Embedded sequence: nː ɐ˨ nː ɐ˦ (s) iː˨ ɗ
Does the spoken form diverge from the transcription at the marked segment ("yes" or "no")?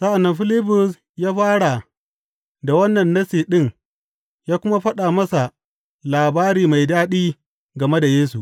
no